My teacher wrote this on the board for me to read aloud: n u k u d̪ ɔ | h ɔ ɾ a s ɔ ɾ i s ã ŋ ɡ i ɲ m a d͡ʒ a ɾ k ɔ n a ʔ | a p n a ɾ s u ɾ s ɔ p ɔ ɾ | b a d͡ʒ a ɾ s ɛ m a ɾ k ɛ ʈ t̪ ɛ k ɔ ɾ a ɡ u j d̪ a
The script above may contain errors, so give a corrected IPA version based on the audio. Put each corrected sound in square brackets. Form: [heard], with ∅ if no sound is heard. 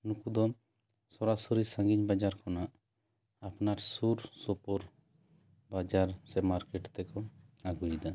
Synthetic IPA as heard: n u k u d̪ ɔ | [s] ɔ ɾ a s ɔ ɾ i s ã ŋ ɡ i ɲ [b] a d͡ʒ a ɾ k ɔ n a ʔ | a p n a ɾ s u ɾ s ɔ p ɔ ɾ | b a d͡ʒ a ɾ s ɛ m a ɾ k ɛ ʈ t̪ ɛ k ɔ [∅] a ɡ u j d̪ a

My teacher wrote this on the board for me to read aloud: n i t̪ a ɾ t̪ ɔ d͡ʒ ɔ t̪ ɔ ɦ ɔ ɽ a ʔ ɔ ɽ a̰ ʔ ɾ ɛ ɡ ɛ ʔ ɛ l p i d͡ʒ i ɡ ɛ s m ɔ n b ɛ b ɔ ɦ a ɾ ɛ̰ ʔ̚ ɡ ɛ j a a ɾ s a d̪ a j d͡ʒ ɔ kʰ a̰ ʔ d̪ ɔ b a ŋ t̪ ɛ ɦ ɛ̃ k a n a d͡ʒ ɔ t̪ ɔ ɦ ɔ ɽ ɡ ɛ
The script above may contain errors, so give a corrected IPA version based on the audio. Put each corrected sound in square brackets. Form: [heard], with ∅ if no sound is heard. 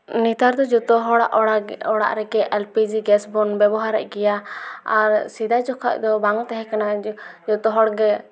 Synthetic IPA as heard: n i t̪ a ɾ [d̪] ɔ d͡ʒ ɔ t̪ ɔ ɦ ɔ ɽ a ʔ ɔ ɽ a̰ ʔ ɾ ɛ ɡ ɛ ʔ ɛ l p i d͡ʒ i ɡ ɛ s [b] ɔ n b ɛ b ɔ ɦ a ɾ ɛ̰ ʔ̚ ɡ ɛ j a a ɾ s [i] d̪ a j d͡ʒ ɔ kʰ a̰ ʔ d̪ ɔ b a ŋ t̪ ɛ ɦ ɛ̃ k a n a d͡ʒ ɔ t̪ ɔ ɦ ɔ ɽ ɡ ɛ

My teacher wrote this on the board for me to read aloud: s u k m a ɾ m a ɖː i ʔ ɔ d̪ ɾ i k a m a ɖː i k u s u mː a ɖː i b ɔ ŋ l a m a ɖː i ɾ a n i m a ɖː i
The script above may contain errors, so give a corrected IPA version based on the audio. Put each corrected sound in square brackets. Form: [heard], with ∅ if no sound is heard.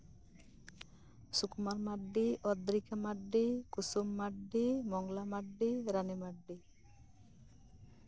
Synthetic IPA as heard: s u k m a ɾ m a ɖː i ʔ ɔ d̪ ɾ i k a m a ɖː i k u s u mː a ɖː i [m] ɔ ŋ l a m a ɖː i ɾ a n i m a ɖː i

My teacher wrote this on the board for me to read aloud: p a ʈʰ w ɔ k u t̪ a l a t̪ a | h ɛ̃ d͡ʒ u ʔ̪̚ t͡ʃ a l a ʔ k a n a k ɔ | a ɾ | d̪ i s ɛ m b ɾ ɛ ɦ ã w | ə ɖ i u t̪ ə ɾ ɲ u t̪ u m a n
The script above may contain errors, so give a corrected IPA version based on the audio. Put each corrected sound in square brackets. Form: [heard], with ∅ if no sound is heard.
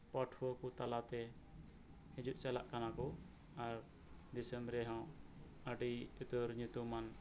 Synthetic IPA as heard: p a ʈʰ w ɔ k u t̪ a l a t̪ [ɛ] | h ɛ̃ d͡ʒ u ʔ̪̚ t͡ʃ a l a ʔ k a n a k ɔ | a ɾ | d̪ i s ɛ m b ɾ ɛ ɦ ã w | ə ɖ i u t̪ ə ɾ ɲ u t̪ u m a n

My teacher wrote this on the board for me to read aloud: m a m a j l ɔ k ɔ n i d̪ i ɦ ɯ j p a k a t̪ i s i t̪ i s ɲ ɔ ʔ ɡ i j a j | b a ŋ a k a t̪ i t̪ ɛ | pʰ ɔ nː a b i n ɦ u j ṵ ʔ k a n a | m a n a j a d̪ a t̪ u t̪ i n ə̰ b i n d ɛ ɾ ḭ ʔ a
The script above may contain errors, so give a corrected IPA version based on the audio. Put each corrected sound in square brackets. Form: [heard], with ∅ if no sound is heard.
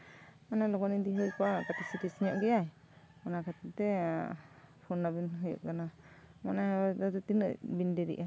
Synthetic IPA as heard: m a [n] a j l ɔ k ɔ n i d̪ i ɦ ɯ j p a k a t̪ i s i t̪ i s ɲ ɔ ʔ ɡ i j a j | [m] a [n] a k a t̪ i t̪ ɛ | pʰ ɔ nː a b i n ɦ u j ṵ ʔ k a n a | m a n a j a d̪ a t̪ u t̪ i n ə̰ b i n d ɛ ɾ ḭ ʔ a

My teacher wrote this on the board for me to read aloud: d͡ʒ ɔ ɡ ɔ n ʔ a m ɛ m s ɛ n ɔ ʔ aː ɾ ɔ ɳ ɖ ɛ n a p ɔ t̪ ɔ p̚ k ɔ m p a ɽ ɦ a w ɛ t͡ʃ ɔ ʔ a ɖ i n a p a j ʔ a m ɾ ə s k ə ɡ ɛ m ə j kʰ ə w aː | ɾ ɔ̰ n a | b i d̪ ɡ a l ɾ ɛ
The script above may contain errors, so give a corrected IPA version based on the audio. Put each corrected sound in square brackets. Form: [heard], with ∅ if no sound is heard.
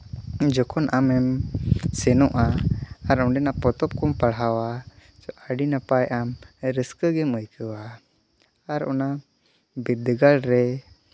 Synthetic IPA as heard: d͡ʒ ɔ [k] ɔ n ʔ a m ɛ m s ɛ n ɔ ʔ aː ɾ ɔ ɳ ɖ ɛ n a p ɔ t̪ ɔ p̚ k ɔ m p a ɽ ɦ a w [a] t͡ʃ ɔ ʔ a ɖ i n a p a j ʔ a m ɾ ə s k ə ɡ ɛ m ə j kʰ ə w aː | ɾ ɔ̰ n a | b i d̪ ɡ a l ɾ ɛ

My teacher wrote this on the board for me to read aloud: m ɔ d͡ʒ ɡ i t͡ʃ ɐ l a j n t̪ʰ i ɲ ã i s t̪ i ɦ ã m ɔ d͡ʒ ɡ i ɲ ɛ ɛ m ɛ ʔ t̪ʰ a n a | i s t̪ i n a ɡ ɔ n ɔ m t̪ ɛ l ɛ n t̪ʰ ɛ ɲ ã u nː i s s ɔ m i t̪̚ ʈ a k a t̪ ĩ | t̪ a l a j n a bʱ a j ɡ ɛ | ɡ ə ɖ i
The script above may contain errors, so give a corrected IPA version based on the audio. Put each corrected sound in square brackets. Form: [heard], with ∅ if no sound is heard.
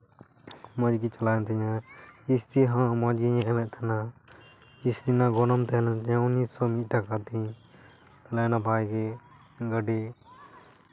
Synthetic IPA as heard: m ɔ d͡ʒ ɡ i t͡ʃ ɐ l a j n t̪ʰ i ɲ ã i s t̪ i ɦ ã m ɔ d͡ʒ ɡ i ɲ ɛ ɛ m ɛ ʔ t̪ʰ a n a | i s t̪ i n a ɡ ɔ n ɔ m t̪ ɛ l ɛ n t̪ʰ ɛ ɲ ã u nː i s s ɔ m i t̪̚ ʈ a k a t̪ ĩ | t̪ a l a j n a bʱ a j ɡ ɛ | ɡ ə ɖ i

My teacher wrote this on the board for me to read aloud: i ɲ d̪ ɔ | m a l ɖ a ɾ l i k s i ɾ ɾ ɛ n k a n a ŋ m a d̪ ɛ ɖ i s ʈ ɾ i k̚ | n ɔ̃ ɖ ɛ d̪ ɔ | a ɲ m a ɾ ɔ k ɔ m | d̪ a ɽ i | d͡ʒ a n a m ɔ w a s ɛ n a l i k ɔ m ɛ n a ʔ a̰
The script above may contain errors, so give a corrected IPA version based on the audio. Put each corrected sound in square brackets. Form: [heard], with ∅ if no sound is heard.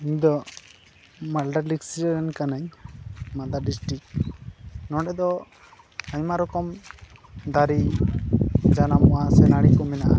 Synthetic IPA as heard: i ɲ d̪ ɔ | m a l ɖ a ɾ l i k s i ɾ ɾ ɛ n k a n a [ɲ] m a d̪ [a] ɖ i s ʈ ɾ i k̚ | n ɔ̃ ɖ ɛ d̪ ɔ | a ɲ m a ɾ ɔ k ɔ m | d̪ a [ɾ] i | d͡ʒ a n a m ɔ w a s ɛ n a [ɽ] i k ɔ m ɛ n a ʔ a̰

